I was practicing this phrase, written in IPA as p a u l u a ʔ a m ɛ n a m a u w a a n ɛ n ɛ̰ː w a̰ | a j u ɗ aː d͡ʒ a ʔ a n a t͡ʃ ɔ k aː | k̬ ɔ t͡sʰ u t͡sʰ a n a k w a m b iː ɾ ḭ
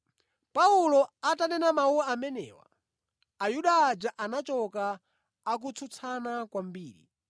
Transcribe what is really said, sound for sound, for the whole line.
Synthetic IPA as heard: p a u l ɔ a t a n ɛ n a m a u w a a m ɛ n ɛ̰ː w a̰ | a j u ɗ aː d͡ʒ a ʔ a n a t͡ʃ ɔ k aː | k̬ u t͡sʰ u t͡sʰ a n a k w a m b iː ɾ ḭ